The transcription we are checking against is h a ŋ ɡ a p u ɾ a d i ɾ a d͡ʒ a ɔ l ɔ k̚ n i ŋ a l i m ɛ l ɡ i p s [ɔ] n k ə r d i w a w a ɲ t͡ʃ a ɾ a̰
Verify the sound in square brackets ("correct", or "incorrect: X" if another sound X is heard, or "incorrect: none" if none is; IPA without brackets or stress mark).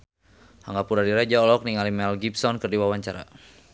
correct